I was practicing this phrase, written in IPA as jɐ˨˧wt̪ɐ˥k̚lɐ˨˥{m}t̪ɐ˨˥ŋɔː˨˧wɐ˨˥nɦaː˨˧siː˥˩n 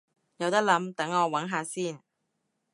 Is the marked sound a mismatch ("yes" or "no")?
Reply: no